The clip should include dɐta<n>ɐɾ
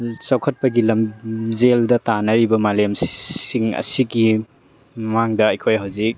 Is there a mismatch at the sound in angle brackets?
no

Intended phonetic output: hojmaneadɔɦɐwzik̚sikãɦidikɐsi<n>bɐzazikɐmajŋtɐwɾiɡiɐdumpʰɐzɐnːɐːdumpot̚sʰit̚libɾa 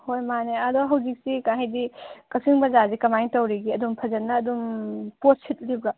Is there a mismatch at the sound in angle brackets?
yes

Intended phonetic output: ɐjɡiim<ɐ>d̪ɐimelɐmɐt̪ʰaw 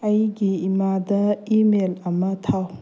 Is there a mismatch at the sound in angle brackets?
yes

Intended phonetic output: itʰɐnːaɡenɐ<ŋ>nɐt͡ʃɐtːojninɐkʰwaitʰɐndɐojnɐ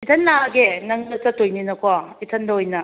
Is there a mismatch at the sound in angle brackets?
no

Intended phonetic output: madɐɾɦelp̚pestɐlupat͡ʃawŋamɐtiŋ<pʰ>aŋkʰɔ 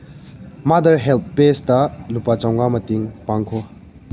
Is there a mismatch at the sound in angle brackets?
yes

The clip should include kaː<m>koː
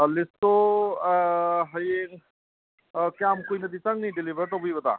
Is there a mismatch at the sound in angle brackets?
no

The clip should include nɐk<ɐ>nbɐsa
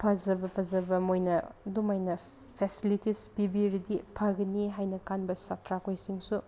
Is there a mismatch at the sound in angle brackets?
yes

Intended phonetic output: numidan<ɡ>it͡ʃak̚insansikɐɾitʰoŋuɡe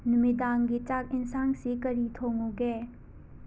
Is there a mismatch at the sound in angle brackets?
no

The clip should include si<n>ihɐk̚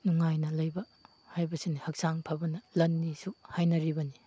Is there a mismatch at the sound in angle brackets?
no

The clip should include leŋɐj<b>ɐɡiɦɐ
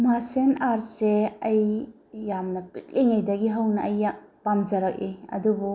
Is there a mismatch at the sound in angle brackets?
yes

